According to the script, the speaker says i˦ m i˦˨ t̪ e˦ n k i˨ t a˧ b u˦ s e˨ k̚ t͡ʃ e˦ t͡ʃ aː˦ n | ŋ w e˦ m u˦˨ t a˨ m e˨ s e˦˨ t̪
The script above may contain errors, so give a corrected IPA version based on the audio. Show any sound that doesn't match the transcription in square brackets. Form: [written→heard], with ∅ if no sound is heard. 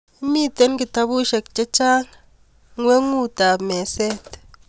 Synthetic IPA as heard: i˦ m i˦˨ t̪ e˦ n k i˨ t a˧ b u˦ [s→ʃ] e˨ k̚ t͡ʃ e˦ t͡ʃ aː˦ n | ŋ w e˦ [m→ŋ] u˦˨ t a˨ m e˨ s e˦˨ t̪